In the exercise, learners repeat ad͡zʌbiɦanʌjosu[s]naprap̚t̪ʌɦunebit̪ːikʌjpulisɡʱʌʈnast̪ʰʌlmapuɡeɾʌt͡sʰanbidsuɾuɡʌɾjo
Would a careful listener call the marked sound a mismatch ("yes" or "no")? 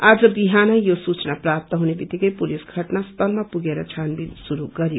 yes